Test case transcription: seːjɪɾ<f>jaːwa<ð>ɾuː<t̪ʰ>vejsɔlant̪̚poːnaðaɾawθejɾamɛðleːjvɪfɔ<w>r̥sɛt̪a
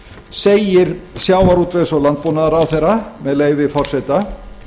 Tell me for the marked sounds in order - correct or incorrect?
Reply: incorrect: s, incorrect: none, incorrect: t̪, incorrect: none

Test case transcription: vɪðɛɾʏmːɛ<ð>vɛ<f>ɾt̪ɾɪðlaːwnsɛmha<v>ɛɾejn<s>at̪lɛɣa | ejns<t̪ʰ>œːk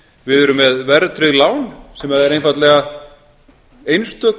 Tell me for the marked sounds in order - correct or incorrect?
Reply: correct, incorrect: none, incorrect: ð, incorrect: f, incorrect: t̪

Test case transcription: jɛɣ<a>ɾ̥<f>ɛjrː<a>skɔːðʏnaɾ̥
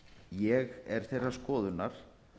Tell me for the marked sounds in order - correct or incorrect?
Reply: incorrect: ɛ, incorrect: θ, correct

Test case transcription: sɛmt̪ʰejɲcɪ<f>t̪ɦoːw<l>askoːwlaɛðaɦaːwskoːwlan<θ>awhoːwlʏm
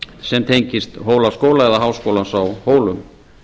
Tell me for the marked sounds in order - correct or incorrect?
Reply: incorrect: s, correct, incorrect: s

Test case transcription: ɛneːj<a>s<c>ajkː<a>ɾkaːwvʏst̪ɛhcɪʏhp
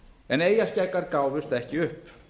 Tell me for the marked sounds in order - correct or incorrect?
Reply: correct, correct, correct

